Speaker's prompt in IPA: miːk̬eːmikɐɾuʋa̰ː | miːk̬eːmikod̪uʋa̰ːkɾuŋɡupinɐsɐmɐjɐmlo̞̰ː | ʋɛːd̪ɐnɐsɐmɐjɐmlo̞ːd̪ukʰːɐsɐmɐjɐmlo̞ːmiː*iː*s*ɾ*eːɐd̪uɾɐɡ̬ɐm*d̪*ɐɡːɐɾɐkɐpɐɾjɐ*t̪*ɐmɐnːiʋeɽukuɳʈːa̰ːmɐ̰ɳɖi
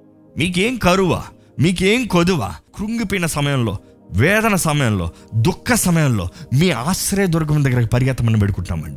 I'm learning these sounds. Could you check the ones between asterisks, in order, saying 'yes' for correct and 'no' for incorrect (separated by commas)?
no, yes, yes, yes